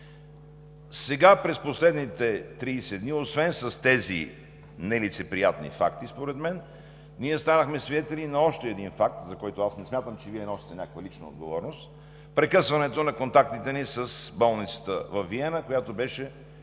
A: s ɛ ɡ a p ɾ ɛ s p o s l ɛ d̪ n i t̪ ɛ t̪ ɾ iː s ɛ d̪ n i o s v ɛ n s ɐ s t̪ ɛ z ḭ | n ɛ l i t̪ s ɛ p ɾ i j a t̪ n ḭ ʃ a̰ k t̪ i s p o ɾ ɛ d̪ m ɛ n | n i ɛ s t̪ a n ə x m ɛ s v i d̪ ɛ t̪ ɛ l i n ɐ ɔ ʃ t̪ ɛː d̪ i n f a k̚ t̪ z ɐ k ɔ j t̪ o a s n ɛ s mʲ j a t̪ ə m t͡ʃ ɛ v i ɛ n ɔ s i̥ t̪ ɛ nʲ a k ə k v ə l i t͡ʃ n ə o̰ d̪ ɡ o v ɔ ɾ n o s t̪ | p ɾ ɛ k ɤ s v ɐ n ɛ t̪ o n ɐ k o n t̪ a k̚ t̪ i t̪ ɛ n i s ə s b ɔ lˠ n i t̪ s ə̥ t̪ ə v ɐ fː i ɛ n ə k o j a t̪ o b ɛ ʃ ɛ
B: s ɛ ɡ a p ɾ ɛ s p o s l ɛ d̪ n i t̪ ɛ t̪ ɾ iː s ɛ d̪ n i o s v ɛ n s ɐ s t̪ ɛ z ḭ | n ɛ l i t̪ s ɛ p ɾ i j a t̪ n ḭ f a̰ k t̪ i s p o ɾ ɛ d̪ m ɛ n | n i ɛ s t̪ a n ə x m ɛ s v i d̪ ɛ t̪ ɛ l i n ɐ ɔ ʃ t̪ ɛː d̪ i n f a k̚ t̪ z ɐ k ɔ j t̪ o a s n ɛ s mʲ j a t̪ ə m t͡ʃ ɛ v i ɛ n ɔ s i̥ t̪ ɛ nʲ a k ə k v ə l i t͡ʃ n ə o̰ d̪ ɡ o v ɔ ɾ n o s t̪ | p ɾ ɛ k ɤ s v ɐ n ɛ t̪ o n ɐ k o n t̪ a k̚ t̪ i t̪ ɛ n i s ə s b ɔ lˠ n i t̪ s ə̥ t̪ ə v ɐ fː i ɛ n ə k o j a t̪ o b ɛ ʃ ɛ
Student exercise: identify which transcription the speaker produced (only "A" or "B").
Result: B